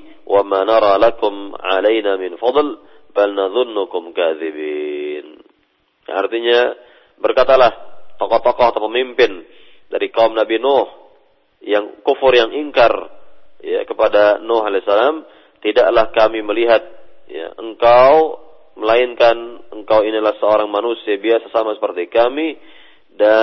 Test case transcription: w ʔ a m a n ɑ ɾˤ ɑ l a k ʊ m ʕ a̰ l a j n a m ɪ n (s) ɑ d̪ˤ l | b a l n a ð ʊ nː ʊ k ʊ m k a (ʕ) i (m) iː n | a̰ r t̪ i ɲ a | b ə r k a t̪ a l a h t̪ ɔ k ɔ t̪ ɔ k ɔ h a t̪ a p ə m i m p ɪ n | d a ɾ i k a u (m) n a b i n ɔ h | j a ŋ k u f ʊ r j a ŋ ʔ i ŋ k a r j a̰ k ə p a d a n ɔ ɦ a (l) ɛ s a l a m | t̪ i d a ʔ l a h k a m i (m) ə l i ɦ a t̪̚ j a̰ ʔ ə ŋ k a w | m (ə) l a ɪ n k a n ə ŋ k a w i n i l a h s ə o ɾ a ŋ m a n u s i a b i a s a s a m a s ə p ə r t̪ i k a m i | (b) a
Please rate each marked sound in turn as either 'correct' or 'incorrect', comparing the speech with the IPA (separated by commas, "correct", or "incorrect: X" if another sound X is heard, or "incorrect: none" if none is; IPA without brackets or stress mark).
incorrect: f, incorrect: ð, incorrect: b, correct, correct, correct, correct, incorrect: d